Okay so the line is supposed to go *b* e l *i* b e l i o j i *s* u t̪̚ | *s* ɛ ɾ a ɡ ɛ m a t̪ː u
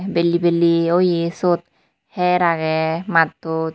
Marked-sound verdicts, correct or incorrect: correct, correct, correct, incorrect: h

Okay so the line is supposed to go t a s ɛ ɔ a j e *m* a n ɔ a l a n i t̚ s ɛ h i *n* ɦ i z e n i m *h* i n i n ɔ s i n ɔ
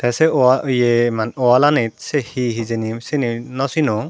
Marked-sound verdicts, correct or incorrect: correct, incorrect: none, incorrect: s

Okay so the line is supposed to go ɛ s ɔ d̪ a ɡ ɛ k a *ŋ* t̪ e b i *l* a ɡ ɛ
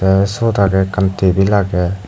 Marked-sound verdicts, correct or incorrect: incorrect: n, correct

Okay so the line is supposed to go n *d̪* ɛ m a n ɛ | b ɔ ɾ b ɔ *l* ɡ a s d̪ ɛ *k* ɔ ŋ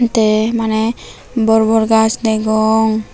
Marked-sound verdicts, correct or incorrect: incorrect: t̪, incorrect: ɾ, incorrect: ɡ

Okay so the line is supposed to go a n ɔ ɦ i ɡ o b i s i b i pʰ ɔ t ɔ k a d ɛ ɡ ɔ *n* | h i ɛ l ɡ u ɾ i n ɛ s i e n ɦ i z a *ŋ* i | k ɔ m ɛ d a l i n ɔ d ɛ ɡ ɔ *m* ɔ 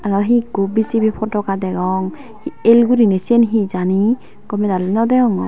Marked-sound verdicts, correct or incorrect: incorrect: ŋ, incorrect: n, incorrect: ŋ

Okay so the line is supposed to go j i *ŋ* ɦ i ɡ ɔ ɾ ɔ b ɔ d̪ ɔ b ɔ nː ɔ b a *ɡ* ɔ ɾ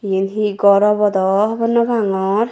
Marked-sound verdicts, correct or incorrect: incorrect: n, incorrect: ŋ

